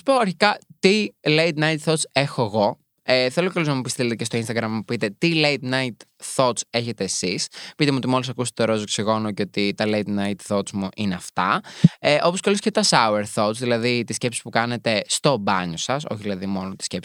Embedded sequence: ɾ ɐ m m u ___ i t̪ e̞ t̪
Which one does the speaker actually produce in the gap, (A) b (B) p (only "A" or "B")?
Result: B